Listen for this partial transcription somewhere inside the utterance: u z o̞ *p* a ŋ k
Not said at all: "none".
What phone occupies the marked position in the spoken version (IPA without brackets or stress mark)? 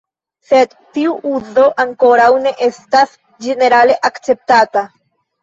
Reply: ʔ